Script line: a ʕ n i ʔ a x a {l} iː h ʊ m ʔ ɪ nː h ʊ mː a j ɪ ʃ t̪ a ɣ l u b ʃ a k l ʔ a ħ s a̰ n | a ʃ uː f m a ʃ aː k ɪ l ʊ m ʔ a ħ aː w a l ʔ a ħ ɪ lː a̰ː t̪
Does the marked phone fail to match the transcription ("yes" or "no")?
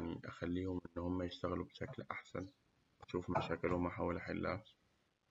yes